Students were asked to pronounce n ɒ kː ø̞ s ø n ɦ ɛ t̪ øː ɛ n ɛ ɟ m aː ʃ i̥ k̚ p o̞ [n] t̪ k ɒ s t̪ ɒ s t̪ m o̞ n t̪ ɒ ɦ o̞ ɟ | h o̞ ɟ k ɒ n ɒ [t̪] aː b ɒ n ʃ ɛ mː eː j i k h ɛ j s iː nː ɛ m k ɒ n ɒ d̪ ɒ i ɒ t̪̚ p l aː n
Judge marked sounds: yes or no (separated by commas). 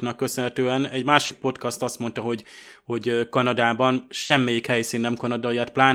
no, no